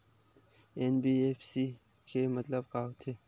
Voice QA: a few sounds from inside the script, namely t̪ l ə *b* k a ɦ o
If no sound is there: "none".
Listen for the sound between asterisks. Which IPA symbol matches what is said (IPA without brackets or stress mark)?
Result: b